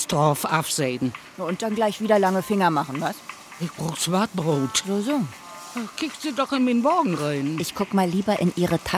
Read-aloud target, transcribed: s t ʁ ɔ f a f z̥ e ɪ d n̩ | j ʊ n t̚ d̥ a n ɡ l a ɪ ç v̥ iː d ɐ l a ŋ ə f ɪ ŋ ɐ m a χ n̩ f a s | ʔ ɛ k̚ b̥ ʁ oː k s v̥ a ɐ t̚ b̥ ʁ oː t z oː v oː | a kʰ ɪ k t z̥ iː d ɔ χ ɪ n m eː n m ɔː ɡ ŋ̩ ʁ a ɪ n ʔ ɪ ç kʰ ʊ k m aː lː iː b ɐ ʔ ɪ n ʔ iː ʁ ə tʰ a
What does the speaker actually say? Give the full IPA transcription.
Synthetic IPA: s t ʁ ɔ f a f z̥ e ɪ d n̩ | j ʊ n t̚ d̥ a n ɡ l a ɪ ç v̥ iː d ɐ l a ŋ ə f ɪ ŋ ɐ m a χ n̩ v a s | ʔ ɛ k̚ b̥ ʁ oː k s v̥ a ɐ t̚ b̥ ʁ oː t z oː z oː | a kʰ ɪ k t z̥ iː d ɔ χ ɪ n m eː n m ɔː ɡ ŋ̩ ʁ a ɪ n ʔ ɪ ç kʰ ʊ k m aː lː iː b ɐ ʔ ɪ n ʔ iː ʁ ə tʰ a